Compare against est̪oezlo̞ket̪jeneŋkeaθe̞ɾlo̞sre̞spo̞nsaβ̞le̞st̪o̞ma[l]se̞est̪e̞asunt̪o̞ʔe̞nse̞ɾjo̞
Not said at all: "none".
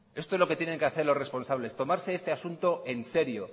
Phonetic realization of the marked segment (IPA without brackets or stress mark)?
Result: ɾ